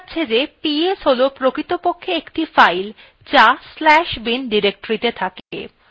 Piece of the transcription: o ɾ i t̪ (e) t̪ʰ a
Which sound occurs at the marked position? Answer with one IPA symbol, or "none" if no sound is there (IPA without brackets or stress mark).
e